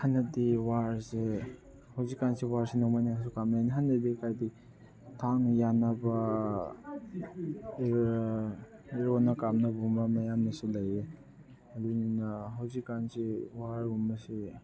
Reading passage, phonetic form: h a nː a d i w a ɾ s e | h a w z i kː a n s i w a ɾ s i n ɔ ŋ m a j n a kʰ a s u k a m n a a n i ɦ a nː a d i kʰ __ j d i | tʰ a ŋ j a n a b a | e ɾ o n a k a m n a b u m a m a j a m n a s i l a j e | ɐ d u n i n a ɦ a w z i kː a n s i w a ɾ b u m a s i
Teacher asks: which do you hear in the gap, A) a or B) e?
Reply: A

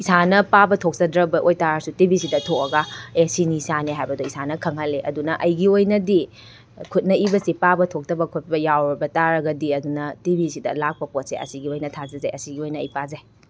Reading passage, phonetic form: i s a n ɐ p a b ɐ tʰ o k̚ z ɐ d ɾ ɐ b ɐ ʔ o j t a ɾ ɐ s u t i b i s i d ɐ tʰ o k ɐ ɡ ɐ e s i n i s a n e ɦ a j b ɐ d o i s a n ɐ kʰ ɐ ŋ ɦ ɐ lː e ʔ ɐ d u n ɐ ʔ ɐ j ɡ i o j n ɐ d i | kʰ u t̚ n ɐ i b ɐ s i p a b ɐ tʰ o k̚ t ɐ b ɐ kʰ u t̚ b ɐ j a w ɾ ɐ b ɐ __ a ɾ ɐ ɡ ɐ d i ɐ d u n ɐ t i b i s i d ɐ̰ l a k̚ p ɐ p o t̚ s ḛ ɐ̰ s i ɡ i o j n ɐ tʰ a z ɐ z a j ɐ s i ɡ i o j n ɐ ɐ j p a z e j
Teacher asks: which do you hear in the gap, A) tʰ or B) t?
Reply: B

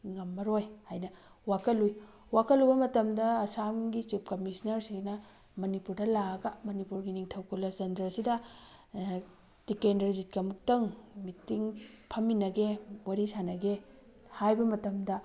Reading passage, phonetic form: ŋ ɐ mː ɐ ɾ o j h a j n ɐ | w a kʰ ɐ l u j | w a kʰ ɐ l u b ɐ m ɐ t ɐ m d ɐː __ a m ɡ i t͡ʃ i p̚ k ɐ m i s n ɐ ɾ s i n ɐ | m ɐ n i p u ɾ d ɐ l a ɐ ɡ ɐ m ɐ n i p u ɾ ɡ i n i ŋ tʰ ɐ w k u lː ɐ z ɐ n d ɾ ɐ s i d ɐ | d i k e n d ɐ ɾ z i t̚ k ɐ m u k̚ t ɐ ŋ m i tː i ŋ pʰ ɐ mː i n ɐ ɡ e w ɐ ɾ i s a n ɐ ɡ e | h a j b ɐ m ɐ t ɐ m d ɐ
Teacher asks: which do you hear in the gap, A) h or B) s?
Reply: B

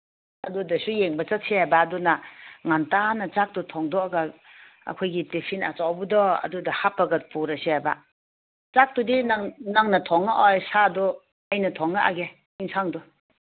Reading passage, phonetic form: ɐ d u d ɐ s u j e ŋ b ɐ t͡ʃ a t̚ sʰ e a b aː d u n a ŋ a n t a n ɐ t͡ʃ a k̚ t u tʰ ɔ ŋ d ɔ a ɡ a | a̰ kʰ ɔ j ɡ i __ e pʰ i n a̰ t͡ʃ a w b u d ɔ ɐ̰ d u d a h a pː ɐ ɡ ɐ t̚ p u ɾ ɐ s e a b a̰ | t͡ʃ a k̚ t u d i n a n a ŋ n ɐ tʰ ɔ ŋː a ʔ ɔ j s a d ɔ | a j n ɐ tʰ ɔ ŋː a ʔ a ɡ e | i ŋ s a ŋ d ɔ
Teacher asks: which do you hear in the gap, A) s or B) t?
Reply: B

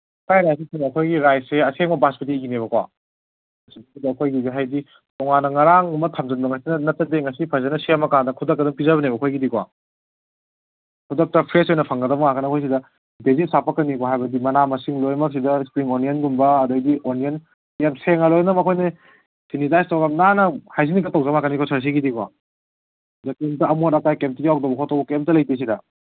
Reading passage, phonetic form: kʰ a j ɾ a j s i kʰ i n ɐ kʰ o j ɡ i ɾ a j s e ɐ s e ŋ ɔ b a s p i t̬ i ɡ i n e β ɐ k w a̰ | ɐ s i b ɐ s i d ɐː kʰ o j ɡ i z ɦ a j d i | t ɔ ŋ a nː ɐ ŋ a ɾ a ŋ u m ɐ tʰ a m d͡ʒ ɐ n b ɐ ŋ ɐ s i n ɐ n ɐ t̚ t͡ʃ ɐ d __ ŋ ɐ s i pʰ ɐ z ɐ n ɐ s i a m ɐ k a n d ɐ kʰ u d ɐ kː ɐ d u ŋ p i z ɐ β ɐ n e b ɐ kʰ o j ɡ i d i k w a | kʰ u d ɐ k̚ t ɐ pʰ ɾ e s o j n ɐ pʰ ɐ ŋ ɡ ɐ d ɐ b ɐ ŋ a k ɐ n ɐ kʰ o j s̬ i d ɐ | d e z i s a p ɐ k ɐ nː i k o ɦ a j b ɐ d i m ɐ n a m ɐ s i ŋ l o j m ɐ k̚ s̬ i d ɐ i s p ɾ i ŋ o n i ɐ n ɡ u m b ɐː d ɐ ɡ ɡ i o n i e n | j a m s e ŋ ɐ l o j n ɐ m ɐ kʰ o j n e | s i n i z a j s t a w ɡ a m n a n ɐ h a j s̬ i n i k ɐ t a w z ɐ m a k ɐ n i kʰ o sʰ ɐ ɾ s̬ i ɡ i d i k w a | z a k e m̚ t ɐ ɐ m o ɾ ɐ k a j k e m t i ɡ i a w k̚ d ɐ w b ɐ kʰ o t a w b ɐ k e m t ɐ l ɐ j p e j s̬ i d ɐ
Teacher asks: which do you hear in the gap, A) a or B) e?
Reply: B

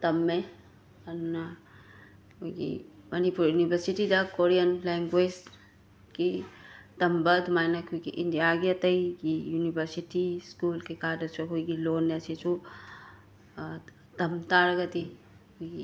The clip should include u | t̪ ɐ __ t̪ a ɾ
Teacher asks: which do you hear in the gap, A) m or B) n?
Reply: A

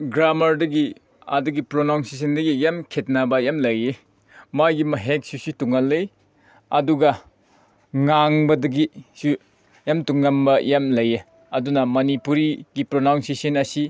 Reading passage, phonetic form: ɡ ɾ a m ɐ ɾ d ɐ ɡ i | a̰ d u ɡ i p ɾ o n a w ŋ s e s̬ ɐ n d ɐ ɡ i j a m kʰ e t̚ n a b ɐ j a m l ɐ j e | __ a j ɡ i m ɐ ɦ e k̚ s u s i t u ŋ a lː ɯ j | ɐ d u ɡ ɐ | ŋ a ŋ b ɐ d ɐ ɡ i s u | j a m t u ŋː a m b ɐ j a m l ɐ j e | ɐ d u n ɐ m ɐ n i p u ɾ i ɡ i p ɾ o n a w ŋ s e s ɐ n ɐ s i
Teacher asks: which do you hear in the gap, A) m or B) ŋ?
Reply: A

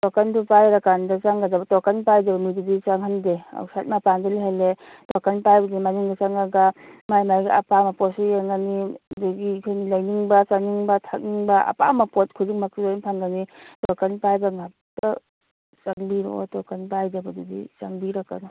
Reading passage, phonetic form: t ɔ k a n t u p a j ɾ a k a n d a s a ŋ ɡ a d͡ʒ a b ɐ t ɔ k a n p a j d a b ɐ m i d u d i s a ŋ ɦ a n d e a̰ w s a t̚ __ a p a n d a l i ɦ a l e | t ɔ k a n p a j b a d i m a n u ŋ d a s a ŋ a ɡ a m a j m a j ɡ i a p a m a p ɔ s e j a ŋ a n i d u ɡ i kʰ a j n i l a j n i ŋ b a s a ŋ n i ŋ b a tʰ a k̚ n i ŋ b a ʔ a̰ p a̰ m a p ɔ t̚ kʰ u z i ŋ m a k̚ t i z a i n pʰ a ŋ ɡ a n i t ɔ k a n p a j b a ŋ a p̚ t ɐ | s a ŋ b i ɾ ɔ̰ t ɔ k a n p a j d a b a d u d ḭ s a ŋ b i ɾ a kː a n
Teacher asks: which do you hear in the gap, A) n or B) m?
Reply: B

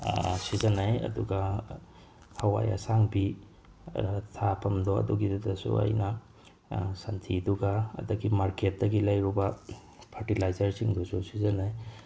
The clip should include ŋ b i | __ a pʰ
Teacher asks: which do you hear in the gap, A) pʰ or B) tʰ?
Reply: B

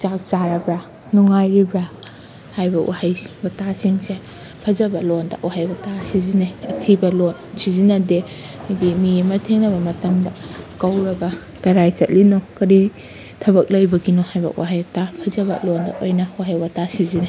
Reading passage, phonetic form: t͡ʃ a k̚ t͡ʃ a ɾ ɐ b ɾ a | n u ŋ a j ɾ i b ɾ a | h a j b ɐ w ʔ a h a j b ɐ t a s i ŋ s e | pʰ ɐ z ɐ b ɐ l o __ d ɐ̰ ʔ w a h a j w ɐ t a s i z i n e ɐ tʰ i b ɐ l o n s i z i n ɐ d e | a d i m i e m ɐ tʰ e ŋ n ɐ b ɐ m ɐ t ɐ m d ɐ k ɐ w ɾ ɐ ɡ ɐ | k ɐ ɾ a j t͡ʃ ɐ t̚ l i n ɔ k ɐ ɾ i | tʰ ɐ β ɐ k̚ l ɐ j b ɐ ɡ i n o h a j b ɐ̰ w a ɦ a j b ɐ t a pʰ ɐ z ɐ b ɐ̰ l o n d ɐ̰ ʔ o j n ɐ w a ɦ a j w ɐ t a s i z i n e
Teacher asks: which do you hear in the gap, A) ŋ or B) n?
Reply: B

